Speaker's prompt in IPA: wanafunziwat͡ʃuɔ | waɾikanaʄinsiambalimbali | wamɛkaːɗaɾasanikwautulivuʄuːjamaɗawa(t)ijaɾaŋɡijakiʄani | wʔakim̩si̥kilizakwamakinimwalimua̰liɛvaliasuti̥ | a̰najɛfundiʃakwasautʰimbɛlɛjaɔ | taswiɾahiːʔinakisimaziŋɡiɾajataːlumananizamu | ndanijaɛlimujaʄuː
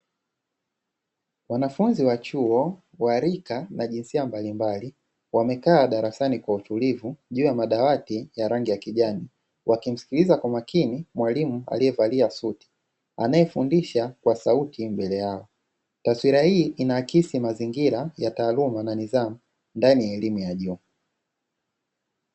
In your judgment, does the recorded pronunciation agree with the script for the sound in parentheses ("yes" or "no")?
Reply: yes